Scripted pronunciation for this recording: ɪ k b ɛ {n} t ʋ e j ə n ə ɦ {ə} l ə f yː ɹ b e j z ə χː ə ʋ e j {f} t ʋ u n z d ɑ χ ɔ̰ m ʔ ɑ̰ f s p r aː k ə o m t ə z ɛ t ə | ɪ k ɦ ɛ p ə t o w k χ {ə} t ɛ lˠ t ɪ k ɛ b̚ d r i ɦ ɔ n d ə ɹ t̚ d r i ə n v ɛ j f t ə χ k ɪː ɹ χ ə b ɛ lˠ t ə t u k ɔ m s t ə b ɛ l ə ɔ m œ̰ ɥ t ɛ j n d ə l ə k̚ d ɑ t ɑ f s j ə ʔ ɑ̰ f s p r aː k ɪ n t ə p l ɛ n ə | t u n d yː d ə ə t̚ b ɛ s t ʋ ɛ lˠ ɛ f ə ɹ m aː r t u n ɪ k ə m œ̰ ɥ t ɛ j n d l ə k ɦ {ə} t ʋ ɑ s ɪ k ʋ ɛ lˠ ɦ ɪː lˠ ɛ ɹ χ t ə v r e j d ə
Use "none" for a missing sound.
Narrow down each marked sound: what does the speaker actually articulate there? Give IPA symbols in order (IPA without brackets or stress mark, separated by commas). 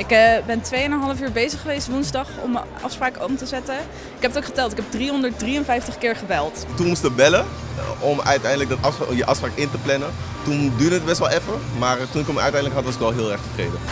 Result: n, ɑ, s, ə, ɑ